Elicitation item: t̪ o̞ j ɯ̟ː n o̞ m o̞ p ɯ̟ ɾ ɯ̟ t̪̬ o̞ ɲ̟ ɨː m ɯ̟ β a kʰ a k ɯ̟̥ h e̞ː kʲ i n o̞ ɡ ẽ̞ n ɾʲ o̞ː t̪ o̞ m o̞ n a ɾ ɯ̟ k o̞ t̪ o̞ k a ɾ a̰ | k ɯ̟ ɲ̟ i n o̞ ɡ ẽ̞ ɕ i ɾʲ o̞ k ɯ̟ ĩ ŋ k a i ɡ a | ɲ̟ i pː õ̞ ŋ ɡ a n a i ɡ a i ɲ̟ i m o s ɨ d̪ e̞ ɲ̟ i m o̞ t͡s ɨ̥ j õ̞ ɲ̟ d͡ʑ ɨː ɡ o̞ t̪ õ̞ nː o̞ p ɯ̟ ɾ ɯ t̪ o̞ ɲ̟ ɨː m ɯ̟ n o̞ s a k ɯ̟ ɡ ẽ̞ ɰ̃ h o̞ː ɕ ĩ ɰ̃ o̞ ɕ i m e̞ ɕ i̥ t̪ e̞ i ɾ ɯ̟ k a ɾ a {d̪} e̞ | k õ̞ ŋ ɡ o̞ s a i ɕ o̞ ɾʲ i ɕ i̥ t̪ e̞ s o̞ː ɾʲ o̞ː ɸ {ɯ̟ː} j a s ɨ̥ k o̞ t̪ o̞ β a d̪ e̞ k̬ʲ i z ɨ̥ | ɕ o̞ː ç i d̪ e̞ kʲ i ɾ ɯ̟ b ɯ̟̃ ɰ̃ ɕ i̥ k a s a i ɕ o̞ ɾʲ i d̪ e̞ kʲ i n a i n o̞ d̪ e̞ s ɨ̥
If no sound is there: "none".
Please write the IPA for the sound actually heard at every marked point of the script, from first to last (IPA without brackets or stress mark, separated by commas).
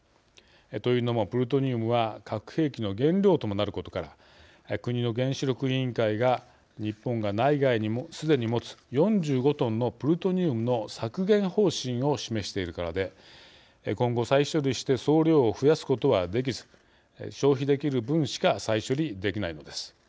d̪, ɯ̟